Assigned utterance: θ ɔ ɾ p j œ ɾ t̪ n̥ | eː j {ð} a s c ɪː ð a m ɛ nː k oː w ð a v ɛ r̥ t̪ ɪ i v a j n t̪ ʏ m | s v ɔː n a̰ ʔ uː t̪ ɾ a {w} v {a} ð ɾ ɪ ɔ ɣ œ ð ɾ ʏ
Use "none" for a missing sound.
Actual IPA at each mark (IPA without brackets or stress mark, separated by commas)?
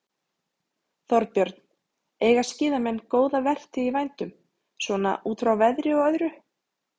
ɣ, w, ɛ